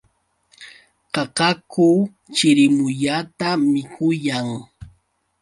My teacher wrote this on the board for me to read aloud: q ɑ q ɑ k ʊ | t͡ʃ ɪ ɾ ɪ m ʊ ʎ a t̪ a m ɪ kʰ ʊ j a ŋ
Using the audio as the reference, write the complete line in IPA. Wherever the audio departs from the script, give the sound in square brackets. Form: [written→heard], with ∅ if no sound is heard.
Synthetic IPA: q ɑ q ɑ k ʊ | t͡ʃ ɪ ɾ ɪ m ʊ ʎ a t̪ a m ɪ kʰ ʊ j a ŋ